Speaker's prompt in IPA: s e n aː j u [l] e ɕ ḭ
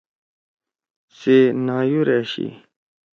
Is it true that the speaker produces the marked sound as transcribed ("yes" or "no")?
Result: no